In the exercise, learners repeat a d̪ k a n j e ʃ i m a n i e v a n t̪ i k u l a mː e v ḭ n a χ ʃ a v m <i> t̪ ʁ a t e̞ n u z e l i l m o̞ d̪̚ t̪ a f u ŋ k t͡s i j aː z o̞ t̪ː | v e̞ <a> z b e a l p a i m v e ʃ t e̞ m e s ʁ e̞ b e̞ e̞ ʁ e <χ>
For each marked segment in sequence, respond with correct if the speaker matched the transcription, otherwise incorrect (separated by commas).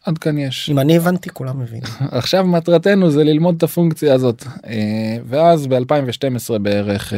incorrect, correct, correct